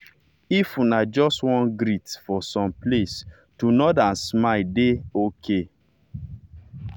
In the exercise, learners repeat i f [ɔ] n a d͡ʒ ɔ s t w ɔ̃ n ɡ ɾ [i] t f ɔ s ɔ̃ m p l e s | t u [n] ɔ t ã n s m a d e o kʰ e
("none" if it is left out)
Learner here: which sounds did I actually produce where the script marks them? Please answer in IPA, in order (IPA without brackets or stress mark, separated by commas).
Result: u, i, n